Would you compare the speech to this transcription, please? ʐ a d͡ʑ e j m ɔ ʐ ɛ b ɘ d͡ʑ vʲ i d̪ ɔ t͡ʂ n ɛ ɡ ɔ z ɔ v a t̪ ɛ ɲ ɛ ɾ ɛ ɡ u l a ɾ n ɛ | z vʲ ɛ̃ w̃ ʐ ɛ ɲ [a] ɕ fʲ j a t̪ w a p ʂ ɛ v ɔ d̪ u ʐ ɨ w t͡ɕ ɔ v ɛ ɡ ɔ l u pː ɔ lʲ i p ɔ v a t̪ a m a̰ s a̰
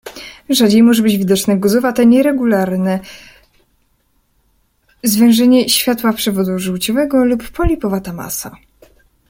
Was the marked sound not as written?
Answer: yes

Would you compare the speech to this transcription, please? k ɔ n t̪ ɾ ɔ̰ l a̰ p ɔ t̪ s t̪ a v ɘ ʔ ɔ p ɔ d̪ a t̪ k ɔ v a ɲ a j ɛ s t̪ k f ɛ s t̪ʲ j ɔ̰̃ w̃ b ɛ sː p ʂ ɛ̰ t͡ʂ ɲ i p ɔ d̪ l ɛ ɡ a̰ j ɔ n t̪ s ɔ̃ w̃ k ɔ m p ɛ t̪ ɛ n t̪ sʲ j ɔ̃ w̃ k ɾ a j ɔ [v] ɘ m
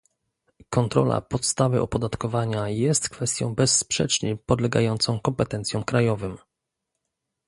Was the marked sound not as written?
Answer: no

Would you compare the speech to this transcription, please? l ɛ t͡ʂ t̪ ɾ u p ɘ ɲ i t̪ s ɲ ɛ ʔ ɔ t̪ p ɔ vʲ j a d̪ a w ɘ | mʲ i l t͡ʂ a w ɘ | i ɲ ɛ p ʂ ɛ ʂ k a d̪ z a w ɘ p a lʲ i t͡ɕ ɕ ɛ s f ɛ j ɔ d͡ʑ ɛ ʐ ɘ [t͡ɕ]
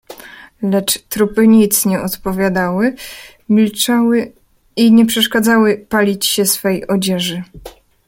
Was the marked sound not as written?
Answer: yes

